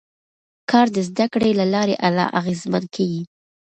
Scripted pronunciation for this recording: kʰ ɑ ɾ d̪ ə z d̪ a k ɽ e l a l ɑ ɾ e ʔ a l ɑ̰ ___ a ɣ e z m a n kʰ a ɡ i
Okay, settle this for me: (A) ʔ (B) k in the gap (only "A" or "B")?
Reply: A